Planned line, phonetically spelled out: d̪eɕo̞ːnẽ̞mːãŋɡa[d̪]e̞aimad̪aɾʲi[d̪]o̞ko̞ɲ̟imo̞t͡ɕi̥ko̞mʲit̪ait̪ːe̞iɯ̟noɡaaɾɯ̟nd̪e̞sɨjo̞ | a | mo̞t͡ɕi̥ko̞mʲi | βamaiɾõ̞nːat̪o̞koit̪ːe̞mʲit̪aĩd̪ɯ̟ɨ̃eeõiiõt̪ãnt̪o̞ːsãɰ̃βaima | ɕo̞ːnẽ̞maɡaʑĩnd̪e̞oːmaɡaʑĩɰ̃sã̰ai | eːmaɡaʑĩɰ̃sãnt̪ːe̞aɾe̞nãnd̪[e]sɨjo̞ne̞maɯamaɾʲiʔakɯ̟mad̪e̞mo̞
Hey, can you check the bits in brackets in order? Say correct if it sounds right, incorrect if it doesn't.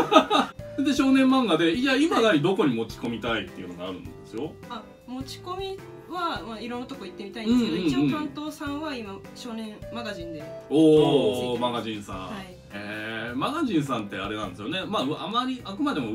correct, correct, correct

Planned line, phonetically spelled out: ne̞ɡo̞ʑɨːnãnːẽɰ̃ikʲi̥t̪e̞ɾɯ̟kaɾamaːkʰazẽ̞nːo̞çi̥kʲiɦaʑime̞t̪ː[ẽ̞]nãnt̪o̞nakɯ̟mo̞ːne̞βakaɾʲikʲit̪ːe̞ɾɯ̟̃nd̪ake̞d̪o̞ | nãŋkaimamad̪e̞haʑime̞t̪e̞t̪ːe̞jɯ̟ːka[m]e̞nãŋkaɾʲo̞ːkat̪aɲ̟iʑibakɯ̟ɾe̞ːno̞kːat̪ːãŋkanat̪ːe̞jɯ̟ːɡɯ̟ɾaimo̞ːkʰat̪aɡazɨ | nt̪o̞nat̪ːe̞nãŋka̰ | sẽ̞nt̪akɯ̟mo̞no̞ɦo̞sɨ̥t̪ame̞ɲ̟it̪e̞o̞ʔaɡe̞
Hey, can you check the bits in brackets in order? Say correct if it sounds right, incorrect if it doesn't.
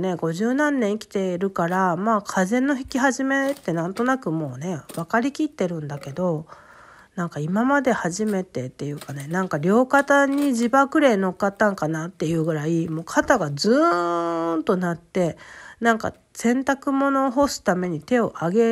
incorrect: e̞, incorrect: n

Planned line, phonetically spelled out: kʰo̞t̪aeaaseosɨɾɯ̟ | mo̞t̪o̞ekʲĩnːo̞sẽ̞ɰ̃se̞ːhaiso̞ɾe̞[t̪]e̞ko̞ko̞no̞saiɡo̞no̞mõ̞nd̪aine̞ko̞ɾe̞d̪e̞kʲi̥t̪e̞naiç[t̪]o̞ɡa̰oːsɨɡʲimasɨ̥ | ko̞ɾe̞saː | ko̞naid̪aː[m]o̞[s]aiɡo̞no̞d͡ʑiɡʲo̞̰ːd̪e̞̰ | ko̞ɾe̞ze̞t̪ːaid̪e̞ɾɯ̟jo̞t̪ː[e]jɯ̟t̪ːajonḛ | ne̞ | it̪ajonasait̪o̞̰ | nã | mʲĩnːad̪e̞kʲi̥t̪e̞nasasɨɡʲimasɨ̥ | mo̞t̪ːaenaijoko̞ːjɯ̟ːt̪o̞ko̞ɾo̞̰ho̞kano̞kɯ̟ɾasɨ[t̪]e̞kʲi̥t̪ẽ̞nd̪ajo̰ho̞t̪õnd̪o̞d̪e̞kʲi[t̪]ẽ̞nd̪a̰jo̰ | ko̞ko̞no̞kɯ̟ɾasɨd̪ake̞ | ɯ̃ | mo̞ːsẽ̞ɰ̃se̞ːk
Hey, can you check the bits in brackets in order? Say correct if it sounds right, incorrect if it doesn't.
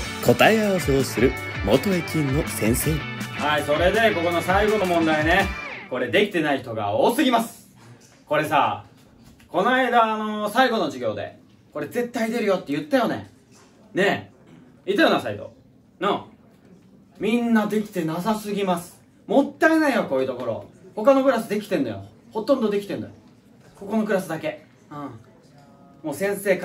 incorrect: d̪, correct, incorrect: n, correct, correct, incorrect: d̪, correct

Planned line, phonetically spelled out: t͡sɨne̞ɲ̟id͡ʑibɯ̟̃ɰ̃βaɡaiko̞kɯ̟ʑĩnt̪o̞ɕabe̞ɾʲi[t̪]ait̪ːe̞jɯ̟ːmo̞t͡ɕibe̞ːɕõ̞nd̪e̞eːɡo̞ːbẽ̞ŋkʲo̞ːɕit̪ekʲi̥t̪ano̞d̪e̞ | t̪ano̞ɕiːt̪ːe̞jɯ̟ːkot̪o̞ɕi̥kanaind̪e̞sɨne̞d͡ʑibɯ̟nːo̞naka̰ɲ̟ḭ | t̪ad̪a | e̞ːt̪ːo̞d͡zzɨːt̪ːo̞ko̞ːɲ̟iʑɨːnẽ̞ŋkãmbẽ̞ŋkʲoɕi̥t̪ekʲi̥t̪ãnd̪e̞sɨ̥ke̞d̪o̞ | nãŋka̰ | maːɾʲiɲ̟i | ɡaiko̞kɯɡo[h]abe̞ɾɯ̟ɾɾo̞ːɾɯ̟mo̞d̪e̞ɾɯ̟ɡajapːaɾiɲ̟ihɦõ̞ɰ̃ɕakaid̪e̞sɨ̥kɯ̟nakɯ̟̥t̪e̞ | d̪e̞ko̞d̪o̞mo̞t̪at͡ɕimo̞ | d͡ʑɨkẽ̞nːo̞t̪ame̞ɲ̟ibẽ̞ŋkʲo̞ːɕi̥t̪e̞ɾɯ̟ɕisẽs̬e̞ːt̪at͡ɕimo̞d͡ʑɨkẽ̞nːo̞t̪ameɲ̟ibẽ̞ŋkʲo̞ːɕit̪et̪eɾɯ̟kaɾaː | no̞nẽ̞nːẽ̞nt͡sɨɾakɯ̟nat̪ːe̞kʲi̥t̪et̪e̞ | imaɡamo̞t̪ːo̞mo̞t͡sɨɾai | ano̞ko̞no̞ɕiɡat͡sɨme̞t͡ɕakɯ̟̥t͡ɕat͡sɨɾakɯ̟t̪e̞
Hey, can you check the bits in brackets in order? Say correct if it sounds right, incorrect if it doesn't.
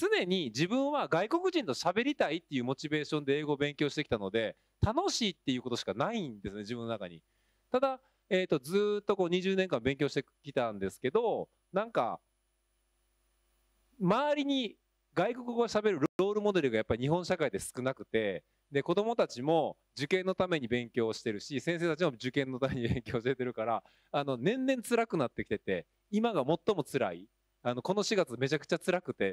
correct, incorrect: ɕ

